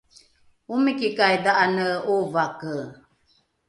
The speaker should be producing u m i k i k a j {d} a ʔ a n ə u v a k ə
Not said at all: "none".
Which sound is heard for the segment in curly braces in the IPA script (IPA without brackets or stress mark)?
d